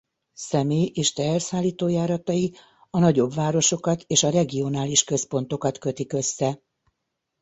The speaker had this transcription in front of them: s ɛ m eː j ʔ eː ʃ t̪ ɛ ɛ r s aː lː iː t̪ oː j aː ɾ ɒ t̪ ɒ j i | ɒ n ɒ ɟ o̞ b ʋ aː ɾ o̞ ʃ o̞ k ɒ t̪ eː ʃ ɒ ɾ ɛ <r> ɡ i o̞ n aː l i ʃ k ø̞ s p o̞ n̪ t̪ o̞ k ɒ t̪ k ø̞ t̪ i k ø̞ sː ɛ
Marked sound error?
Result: yes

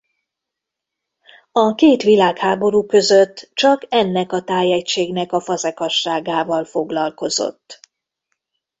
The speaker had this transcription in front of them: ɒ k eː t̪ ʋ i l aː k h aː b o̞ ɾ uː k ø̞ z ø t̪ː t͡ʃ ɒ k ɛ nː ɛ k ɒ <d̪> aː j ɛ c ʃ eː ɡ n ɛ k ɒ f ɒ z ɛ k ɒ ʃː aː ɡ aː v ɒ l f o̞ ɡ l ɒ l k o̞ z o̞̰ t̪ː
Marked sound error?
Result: yes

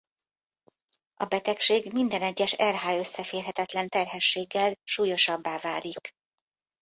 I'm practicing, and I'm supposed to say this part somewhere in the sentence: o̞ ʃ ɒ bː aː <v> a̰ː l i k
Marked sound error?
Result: no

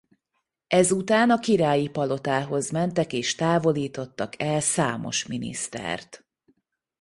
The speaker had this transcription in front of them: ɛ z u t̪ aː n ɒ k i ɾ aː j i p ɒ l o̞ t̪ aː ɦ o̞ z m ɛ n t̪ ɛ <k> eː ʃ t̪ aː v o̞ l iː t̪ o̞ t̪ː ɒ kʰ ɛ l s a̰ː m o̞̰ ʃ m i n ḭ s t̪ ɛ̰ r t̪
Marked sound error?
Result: no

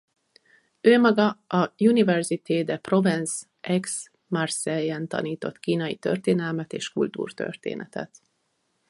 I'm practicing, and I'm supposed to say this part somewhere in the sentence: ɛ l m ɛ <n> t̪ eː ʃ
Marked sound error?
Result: yes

